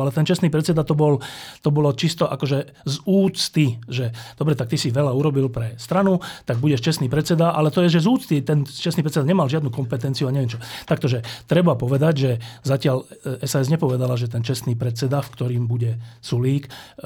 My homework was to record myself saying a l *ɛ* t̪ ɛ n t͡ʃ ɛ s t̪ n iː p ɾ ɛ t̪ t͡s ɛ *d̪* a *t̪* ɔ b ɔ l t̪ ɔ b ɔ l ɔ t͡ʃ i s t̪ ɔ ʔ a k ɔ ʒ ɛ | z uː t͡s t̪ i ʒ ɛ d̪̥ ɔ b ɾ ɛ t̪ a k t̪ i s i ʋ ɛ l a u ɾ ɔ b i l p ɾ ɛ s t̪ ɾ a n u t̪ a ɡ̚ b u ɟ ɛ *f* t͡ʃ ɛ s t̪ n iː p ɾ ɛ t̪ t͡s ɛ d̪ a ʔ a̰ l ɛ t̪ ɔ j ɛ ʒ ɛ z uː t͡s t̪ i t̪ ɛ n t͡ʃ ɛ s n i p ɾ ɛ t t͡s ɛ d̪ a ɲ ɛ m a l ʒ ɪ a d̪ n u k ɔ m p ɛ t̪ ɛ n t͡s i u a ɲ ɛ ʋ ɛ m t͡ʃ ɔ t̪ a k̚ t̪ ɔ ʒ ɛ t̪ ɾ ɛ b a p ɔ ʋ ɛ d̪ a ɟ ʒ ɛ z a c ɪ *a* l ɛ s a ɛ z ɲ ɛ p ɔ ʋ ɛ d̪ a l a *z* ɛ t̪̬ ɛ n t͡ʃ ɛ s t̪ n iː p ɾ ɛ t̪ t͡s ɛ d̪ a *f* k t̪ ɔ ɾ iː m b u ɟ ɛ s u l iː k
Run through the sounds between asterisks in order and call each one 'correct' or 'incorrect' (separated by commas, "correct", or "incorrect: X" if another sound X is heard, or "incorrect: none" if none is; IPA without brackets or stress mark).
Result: correct, correct, correct, incorrect: ʃ, correct, incorrect: ʒ, correct